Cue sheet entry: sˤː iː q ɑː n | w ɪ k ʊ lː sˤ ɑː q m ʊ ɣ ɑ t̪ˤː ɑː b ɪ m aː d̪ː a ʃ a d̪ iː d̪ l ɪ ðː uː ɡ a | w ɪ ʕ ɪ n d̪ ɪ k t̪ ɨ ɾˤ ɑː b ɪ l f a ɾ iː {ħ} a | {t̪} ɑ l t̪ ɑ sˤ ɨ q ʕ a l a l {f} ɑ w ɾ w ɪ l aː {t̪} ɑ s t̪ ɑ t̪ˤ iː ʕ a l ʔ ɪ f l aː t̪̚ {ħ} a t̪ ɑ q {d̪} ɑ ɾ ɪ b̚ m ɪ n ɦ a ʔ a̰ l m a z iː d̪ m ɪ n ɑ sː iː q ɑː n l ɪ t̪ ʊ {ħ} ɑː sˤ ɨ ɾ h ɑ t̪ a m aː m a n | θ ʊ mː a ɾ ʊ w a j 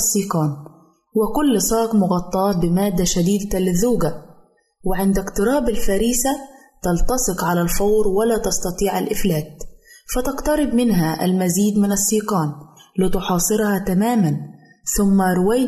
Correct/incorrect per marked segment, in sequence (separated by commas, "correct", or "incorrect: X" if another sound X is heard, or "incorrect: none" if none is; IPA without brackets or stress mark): incorrect: s, correct, correct, correct, incorrect: f, incorrect: t̪, correct